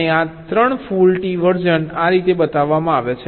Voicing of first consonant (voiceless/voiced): voiceless